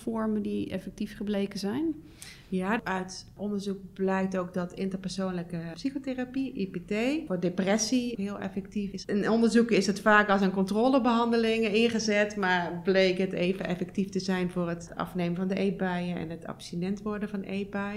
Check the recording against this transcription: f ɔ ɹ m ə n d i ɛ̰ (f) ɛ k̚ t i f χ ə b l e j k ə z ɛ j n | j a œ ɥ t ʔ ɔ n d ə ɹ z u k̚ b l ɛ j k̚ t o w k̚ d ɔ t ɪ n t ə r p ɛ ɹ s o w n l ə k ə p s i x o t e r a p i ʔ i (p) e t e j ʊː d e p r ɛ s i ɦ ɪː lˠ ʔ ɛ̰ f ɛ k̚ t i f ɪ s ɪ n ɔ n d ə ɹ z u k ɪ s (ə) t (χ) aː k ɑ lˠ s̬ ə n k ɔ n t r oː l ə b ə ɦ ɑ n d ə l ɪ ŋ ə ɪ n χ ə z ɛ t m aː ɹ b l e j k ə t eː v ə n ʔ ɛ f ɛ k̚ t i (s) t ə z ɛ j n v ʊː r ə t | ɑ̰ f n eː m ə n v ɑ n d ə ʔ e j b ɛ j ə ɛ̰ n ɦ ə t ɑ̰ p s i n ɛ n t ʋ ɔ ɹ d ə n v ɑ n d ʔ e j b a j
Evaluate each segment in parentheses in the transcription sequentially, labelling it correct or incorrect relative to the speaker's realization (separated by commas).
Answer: correct, correct, correct, incorrect, incorrect